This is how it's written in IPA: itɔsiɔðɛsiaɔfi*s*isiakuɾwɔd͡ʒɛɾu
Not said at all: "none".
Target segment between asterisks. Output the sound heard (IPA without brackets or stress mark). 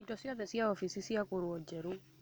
s